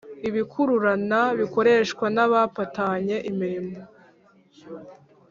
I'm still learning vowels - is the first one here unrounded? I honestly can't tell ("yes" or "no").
yes